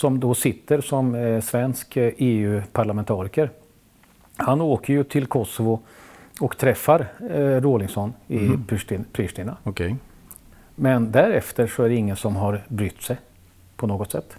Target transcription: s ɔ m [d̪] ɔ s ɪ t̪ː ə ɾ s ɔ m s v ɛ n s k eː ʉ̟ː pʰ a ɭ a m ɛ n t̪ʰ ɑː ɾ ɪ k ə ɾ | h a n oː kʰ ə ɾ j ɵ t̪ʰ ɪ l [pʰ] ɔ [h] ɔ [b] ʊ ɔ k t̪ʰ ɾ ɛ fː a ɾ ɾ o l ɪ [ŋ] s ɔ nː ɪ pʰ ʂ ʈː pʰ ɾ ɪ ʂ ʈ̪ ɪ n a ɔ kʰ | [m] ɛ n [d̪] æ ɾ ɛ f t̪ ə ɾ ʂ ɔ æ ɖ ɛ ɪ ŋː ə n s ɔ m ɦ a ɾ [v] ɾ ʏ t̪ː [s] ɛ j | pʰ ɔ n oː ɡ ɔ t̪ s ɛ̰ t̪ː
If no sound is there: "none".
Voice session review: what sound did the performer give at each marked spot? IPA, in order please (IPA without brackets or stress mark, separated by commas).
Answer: d̪, kʰ, s, v, ŋ, m, d̪, b, s